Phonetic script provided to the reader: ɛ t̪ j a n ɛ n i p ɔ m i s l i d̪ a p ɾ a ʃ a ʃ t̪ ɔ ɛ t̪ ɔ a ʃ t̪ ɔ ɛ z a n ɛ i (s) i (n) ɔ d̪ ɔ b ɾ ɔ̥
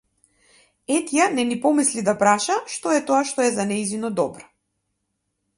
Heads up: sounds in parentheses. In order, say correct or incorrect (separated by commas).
incorrect, correct